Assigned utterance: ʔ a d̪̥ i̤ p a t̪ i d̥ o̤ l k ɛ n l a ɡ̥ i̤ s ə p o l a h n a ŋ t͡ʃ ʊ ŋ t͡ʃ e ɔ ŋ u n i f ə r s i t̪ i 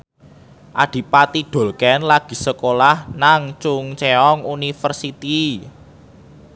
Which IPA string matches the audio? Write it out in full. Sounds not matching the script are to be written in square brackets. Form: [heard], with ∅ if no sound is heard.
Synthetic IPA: ʔ a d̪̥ i̤ p a t̪ i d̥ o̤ l k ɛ n l a ɡ̥ i̤ s ə [k] o l a h n a ŋ t͡ʃ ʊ ŋ t͡ʃ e ɔ ŋ u n i f ə r s i t̪ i